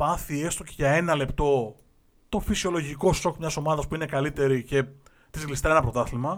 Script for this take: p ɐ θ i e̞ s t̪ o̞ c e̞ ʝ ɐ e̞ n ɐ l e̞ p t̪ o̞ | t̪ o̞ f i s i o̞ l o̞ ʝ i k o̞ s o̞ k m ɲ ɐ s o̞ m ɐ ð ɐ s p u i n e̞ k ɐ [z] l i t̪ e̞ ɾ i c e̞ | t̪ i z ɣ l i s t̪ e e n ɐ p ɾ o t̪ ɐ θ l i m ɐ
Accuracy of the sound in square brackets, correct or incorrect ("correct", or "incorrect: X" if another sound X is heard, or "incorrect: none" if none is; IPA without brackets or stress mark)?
incorrect: none